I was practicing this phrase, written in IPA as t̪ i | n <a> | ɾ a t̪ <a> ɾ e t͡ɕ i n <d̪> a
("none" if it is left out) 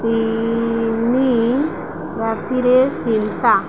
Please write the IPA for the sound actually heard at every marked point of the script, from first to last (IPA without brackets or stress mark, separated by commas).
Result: i, i, t̪